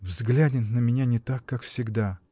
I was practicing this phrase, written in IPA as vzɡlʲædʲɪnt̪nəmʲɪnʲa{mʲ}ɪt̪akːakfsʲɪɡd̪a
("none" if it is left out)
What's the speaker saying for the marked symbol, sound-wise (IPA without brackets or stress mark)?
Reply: nʲ